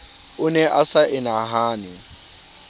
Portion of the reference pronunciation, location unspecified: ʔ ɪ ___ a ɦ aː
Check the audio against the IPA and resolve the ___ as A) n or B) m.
A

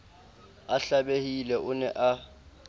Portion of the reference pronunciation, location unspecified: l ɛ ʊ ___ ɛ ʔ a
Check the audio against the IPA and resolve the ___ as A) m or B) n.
B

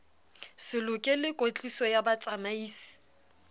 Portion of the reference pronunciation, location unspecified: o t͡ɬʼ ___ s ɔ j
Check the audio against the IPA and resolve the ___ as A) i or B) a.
A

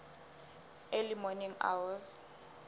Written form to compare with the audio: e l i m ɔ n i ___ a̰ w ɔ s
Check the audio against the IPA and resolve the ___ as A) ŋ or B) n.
A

